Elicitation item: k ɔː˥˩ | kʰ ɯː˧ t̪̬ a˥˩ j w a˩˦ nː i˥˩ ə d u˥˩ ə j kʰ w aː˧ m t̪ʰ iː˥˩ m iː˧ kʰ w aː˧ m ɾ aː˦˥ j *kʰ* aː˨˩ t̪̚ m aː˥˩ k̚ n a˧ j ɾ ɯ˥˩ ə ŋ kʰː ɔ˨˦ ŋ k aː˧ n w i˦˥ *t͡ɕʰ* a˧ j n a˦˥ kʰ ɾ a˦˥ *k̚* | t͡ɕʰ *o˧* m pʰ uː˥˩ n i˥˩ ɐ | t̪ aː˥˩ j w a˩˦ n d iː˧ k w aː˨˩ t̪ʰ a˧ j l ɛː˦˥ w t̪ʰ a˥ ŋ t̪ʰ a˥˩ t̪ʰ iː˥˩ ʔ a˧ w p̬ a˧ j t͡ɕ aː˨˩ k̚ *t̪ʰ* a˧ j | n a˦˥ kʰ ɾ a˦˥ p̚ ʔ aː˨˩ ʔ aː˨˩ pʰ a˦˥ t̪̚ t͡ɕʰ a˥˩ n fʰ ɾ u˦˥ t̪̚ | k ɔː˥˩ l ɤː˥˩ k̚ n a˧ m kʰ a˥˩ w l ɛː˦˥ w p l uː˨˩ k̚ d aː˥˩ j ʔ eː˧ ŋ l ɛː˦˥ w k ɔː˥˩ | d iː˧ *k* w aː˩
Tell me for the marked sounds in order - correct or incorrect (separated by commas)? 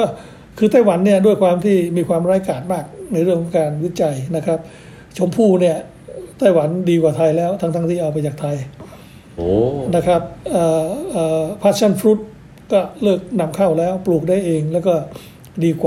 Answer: incorrect, incorrect, incorrect, incorrect, correct, correct